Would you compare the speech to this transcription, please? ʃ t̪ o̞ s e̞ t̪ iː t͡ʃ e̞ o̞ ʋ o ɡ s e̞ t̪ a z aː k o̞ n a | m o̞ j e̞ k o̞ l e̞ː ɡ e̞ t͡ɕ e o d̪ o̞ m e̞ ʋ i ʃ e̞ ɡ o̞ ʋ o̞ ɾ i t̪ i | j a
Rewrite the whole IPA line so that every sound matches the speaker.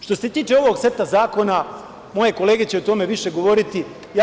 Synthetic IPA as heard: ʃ t̪ o̞ s e̞ t̪ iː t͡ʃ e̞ o̞ ʋ o ɡ s e̞ t̪ a z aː k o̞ n a | m o̞ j e̞ k o̞ l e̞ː ɡ e̞ t͡ɕ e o t̪ o̞ m e̞ ʋ i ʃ e̞ ɡ o̞ ʋ o̞ ɾ i t̪ i | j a